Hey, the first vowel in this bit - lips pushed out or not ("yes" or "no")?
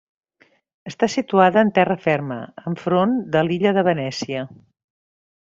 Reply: no